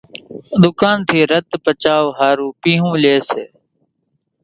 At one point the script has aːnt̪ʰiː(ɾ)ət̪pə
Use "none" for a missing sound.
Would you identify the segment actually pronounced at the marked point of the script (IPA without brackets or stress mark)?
ɾ